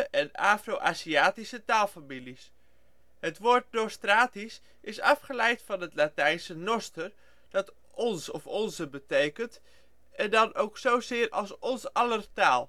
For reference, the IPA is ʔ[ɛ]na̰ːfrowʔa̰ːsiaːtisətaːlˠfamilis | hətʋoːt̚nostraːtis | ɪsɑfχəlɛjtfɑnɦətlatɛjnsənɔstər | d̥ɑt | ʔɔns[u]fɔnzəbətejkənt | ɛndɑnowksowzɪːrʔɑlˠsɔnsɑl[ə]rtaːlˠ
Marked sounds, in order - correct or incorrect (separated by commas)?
correct, incorrect, correct